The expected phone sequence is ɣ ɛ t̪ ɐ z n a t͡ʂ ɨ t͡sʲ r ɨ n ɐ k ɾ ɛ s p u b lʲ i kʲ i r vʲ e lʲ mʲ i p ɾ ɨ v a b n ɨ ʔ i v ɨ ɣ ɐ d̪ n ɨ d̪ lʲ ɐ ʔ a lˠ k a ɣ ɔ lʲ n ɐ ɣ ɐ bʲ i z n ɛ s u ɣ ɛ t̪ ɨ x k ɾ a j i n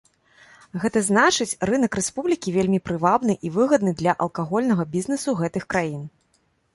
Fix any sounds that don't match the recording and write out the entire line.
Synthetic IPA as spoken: ɣ ɛ t̪ ɐ z n a t͡ʂ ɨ t͡sʲ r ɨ n ɐ k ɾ ɛ s p u b lʲ i kʲ i vʲ e lʲ mʲ i p ɾ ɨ v a b n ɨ ʔ i v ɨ ɣ ɐ d̪ n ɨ d̪ lʲ ɐ ʔ ɐ lˠ k a ɣ ɔ lʲ n ɐ ɣ ɐ bʲ i z n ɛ s u ɣ ɛ t̪ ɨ x k ɾ a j i n